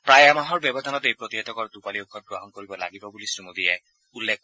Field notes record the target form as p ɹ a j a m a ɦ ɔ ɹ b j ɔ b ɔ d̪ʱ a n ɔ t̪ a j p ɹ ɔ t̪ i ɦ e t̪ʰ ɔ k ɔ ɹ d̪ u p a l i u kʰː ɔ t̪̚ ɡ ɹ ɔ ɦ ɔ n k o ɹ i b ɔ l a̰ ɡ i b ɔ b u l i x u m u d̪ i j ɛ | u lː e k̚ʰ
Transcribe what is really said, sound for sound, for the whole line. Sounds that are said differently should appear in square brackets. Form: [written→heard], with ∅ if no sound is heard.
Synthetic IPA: p ɹ a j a m a ɦ ɔ ɹ b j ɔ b ɔ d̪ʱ a n ɔ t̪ [a→e] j p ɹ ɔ t̪ i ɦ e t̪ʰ ɔ k ɔ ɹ d̪ u p a l i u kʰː ɔ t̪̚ ɡ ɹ ɔ ɦ ɔ n k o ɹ i b ɔ l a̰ ɡ i b ɔ b u l i [x→s] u m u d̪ i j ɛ | u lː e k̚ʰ

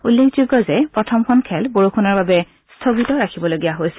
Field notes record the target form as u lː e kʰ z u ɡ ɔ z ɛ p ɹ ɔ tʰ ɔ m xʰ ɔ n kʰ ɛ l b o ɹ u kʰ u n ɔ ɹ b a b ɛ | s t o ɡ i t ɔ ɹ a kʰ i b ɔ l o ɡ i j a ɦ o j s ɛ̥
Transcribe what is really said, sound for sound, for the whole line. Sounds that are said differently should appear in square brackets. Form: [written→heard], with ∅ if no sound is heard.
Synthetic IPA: u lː e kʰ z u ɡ ɔ z ɛ p ɹ ɔ tʰ ɔ m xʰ ɔ n kʰ ɛ l b o ɹ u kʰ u n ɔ ɹ b a b ɛ | s [t→tʰ] o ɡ i t ɔ ɹ a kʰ i b ɔ l o ɡ i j a ɦ o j s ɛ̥

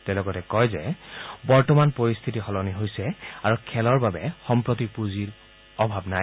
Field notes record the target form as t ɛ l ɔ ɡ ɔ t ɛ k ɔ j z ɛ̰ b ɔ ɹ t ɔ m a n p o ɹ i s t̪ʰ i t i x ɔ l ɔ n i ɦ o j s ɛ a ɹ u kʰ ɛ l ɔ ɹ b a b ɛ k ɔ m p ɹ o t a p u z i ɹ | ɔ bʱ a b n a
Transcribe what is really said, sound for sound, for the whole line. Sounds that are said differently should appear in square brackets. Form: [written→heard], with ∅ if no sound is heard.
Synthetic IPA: t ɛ l ɔ ɡ ɔ t ɛ k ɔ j z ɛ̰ b ɔ ɹ t ɔ m a n p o ɹ i s t̪ʰ i t i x ɔ l ɔ n i ɦ o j s ɛ a ɹ u kʰ ɛ l ɔ ɹ b a b ɛ [k→x] ɔ m p ɹ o t [a→i] p u z i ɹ | ɔ bʱ a b n a

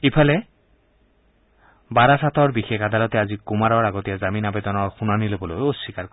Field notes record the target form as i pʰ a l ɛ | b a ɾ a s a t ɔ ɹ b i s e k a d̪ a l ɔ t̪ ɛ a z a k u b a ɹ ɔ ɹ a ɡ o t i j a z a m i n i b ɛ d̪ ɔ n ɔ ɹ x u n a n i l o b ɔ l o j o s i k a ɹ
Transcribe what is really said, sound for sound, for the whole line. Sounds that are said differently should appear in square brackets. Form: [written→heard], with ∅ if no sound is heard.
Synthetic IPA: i pʰ a l ɛ | b a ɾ a s a t ɔ ɹ b i [s→x] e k a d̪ a l ɔ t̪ ɛ a z [a→i] k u [b→m] a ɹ ɔ ɹ a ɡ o t i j a z a m i n [i→a] b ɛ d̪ ɔ n ɔ ɹ x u n a n i l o b ɔ l o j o s i k a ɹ

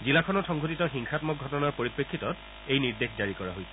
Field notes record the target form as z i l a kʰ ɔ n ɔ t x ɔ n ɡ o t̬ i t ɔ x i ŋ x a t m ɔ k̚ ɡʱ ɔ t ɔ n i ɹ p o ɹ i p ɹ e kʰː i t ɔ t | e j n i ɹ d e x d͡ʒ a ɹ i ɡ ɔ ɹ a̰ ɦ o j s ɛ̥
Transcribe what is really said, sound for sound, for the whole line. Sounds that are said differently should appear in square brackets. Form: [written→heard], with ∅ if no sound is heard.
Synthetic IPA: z i l a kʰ ɔ n ɔ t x ɔ [n→ŋ] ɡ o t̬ i t ɔ x i ŋ x a t m ɔ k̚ ɡʱ ɔ t ɔ n [i→a] ɹ p o ɹ i p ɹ e kʰː i t ɔ t | e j n i ɹ d e x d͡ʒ a ɹ i [ɡ→k] ɔ ɹ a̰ ɦ o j s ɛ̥

